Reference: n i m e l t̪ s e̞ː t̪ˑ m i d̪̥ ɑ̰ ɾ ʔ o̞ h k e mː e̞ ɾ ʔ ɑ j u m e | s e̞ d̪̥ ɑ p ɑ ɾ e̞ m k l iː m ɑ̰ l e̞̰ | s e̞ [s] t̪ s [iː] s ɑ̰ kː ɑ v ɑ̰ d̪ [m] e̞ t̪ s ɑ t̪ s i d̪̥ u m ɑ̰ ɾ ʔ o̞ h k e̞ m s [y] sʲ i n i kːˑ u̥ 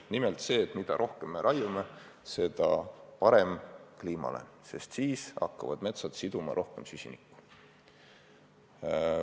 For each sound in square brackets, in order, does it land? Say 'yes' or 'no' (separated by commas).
yes, yes, yes, yes